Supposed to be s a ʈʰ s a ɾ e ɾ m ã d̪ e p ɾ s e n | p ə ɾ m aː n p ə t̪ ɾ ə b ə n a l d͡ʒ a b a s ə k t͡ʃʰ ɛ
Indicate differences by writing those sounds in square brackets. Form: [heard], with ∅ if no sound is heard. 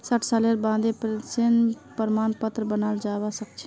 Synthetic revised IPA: s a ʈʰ s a [l] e ɾ [b] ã d̪ e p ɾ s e n | p ə ɾ m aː n p ə t̪ ɾ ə b ə n a l d͡ʒ a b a s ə k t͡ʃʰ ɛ